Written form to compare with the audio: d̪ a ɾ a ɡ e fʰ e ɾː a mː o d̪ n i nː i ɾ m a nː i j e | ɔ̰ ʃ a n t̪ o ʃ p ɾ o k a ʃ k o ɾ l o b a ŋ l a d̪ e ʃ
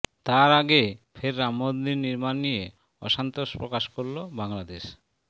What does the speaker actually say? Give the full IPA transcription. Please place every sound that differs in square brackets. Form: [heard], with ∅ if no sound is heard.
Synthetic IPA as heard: [t̪] a ɾ a ɡ e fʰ e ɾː a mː o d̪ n i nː i ɾ m a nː i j e | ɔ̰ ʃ a n t̪ o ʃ p ɾ o k a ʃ k o ɾ l o b a ŋ l a d̪ e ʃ

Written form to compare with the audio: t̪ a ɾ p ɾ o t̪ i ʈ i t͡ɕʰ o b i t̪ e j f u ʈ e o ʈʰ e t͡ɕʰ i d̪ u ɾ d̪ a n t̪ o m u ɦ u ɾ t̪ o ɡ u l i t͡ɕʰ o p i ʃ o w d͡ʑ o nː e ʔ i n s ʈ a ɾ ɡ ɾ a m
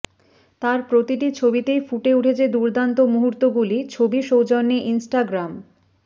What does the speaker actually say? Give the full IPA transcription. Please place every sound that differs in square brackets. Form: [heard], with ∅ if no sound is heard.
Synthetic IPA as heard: t̪ a ɾ p ɾ o t̪ i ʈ i t͡ɕʰ o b i t̪ e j f u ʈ e [u] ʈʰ e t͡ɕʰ [e] d̪ u ɾ d̪ a n t̪ o m u ɦ u ɾ t̪ o ɡ u l i t͡ɕʰ o [b] i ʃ o w d͡ʑ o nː e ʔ i n s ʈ a [∅] ɡ ɾ a m

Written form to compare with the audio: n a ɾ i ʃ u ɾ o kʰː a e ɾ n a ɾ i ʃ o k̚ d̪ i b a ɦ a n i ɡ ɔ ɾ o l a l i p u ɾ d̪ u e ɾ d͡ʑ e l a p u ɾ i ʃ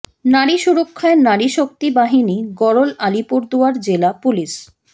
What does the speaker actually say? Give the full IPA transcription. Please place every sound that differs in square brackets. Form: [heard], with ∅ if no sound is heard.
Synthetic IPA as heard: n a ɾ i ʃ u ɾ o kʰː a e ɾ n a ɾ i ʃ o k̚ [t̪] i b a ɦ [i] n i ɡ ɔ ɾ o l a l i p u ɾ d̪ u [a] ɾ d͡ʑ e l a p u [l] i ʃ

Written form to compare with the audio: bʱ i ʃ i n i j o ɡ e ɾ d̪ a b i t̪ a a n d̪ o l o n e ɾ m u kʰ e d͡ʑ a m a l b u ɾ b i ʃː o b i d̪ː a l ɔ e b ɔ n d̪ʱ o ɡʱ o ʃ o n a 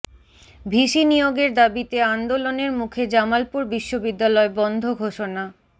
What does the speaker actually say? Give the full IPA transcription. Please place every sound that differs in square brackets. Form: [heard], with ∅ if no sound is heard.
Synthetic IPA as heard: bʱ i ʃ i n i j o ɡ e ɾ d̪ a b i t̪ [e] a n d̪ o l o n e ɾ m u kʰ e d͡ʑ a m a l [p] u ɾ b i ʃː o b i d̪ː a l ɔ e b ɔ n d̪ʱ o ɡʱ o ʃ o n a

